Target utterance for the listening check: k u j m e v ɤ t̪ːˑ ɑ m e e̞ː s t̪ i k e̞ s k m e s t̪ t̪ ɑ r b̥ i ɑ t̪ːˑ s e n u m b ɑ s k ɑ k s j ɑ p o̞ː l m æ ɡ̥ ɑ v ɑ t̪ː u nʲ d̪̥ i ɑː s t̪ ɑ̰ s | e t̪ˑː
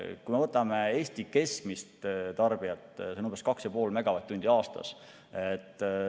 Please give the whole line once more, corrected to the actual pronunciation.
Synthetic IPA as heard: k u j m e v ɤ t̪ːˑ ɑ m e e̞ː s t̪ i k e̞ s k m i s t̪ t̪ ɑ r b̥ i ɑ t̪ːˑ s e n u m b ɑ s k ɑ k s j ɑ p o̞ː l m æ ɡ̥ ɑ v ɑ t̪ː u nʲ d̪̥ i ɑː s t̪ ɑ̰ s | e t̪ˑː